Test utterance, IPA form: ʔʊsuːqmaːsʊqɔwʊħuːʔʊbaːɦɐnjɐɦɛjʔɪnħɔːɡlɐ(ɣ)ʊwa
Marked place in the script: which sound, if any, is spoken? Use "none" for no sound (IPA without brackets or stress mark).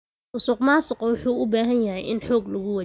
ɣ